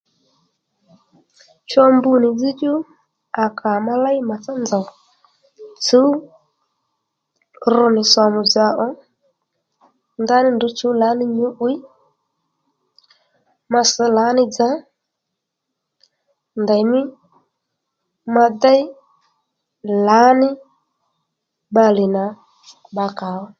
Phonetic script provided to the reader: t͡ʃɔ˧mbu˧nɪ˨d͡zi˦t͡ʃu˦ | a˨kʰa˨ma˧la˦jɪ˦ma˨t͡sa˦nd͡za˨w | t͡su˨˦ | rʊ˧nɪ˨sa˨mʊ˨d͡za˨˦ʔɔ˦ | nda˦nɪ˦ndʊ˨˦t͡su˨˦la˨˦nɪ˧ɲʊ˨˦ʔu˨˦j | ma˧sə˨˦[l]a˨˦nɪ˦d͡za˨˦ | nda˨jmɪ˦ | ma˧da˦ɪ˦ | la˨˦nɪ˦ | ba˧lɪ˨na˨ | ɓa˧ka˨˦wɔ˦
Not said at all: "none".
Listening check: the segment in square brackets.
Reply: l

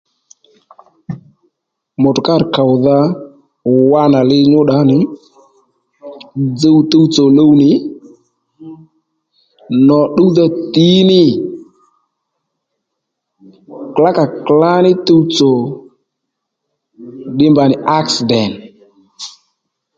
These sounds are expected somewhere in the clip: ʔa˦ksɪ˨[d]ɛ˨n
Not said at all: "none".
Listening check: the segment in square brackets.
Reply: d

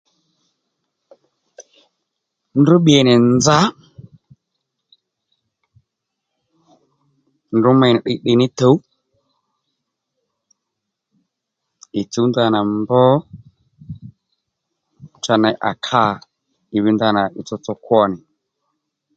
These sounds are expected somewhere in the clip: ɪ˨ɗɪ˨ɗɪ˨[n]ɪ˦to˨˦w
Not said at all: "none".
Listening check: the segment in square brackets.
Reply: n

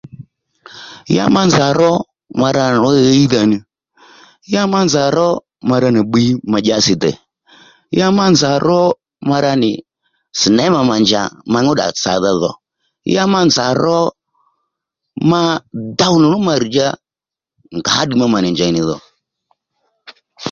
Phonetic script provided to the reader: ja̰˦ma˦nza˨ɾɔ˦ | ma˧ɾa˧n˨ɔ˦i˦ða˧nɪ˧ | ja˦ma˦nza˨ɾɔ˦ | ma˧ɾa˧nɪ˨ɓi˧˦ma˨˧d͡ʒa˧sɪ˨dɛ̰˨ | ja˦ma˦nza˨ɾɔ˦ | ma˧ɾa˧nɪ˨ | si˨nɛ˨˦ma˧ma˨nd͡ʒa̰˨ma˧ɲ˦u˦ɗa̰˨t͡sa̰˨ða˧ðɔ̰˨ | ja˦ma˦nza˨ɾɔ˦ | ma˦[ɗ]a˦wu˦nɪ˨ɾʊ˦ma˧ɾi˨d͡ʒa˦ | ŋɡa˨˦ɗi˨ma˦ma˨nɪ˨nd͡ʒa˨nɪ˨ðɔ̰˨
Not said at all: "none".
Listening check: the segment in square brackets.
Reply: d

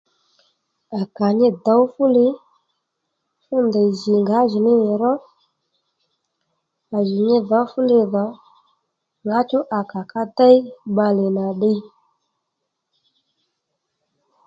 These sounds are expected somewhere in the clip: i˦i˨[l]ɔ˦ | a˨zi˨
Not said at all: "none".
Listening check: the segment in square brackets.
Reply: ɾ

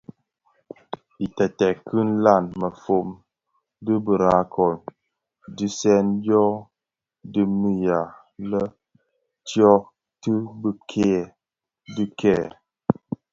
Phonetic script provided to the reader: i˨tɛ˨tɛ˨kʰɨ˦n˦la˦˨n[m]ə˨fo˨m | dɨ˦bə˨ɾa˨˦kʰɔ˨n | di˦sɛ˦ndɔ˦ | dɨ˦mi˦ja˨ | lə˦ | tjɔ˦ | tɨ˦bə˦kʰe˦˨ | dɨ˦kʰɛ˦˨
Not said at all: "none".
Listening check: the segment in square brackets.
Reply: m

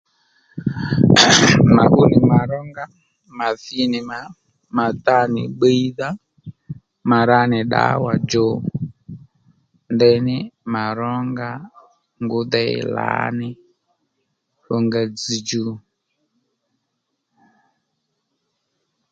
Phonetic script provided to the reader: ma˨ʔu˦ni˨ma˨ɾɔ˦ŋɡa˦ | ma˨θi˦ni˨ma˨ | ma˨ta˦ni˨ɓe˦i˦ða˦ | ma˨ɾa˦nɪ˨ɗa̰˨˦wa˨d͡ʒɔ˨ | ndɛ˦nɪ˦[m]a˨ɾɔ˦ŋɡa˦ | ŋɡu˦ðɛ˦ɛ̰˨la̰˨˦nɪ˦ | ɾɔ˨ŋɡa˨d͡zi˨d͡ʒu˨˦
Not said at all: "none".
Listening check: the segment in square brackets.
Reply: m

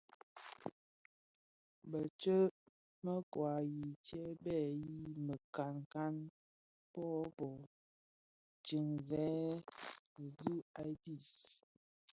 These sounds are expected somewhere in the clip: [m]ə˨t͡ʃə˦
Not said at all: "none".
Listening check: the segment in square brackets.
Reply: b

